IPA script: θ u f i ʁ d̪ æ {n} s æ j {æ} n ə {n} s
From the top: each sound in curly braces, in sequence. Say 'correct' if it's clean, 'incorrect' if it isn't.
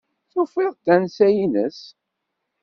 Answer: correct, incorrect: i, incorrect: none

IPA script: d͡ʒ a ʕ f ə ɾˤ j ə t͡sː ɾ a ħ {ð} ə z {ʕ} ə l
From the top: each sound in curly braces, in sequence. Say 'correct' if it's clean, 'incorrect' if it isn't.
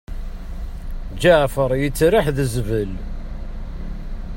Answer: correct, incorrect: v

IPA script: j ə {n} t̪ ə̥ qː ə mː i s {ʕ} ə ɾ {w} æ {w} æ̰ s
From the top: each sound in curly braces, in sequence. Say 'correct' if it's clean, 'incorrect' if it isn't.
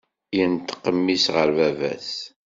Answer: correct, incorrect: ʁ, incorrect: v, incorrect: v

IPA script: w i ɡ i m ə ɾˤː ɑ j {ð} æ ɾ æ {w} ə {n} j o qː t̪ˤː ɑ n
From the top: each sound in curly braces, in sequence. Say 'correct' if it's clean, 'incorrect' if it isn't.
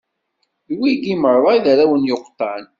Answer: correct, correct, correct

